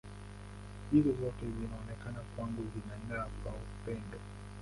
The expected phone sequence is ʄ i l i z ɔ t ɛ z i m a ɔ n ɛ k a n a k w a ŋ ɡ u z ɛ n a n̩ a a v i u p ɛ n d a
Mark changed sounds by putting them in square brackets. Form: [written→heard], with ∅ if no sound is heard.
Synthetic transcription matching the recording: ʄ i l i z ɔ t ɛ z i [m→n] a ɔ n ɛ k a n a k w a ŋ ɡ u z [ɛ→i] n a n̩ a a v [i→a] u p ɛ n d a